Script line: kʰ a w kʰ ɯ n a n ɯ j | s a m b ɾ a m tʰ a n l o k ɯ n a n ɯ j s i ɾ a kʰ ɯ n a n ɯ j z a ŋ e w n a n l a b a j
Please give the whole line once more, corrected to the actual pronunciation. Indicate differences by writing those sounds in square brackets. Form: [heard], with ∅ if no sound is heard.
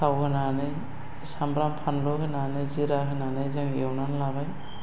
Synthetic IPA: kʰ a w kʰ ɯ n a n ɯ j | s a m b ɾ a m [pʰ] a n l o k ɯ n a n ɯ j [z] i ɾ a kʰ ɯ n a n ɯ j z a ŋ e w n a n l a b a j

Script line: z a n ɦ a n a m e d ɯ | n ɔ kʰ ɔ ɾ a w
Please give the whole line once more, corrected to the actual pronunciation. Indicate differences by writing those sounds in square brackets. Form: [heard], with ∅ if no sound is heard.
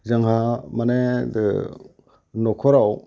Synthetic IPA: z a [ŋ] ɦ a [m] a [n] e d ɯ | n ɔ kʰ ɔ ɾ a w

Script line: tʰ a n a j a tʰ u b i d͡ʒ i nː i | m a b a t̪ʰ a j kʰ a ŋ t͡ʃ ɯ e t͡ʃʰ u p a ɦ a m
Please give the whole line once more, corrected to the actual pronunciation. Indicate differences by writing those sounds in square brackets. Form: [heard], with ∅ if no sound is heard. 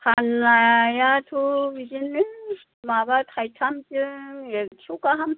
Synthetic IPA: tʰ a n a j a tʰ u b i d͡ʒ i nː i | m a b a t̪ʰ a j [tʰ] a [m] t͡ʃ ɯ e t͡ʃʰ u [k] a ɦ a m

